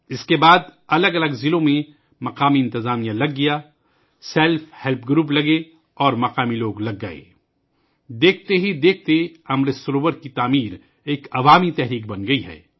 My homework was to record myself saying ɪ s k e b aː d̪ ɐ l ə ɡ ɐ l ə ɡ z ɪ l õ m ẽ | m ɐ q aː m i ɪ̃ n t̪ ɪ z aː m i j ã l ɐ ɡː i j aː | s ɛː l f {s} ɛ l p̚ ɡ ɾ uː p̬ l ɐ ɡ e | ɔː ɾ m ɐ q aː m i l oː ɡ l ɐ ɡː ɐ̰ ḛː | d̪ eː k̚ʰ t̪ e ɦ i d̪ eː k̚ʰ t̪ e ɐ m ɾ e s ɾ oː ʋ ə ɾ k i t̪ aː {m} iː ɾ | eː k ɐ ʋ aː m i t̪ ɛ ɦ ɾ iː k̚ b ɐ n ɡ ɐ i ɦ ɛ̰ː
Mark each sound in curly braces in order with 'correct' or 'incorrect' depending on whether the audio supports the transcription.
incorrect: h, correct

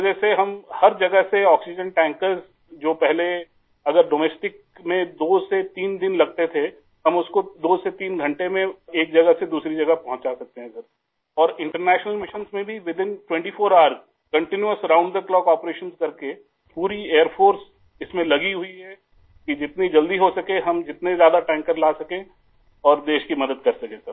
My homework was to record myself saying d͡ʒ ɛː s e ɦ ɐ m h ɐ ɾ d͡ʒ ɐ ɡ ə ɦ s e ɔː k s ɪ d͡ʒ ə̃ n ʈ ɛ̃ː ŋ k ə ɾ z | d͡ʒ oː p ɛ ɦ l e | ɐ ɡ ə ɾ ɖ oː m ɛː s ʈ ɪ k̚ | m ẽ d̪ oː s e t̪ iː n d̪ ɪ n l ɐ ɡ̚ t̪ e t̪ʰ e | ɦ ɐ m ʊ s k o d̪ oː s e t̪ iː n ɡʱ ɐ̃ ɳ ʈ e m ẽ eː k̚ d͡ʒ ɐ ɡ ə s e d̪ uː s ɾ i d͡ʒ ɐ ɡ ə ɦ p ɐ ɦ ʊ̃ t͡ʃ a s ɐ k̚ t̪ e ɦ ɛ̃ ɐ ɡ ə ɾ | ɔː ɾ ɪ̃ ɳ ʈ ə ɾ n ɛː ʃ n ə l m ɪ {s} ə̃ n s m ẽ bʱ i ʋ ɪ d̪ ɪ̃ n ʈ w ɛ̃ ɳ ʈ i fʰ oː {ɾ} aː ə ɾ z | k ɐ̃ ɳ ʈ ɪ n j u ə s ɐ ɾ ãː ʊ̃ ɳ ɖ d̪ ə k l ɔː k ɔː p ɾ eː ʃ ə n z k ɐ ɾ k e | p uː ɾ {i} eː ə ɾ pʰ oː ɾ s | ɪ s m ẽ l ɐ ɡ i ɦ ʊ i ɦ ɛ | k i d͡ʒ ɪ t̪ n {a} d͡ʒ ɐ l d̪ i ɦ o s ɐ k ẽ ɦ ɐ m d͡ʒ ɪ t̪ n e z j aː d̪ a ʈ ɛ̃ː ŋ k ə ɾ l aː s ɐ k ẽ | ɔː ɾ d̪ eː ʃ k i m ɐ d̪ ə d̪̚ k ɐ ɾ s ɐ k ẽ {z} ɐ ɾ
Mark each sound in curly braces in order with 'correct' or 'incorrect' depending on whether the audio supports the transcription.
incorrect: ʃ, correct, correct, incorrect: i, incorrect: s

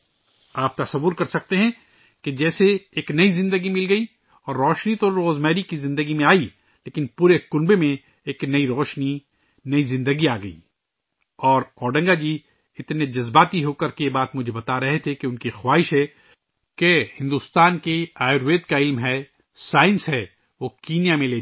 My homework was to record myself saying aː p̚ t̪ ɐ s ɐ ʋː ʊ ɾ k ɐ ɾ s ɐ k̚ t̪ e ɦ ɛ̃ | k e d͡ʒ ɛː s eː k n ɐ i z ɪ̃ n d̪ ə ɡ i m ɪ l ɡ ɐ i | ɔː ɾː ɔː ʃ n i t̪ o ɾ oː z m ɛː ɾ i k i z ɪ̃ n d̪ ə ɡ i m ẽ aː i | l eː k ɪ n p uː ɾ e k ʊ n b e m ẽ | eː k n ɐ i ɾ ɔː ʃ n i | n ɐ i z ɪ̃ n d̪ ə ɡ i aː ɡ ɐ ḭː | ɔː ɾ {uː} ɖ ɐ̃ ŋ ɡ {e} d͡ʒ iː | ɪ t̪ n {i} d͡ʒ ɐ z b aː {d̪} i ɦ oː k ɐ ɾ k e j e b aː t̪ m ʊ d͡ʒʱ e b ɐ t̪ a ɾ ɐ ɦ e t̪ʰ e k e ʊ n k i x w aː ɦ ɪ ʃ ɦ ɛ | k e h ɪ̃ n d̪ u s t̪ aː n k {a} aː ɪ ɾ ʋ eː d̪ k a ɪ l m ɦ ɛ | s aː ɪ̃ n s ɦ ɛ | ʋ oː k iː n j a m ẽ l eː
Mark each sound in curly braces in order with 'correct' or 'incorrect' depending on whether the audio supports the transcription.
incorrect: ɔː, incorrect: a, incorrect: e, incorrect: t̪, incorrect: e

